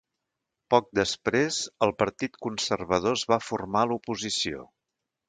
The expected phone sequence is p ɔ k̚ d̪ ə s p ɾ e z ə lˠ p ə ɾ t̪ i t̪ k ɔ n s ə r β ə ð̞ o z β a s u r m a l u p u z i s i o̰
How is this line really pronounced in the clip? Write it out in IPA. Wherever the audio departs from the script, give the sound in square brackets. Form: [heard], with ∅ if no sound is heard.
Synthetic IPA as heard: p ɔ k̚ d̪ ə s p ɾ e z ə lˠ p ə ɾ t̪ i t̪ k [u] n s ə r β ə ð̞ o z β a [f] u r m a l u p u z i s i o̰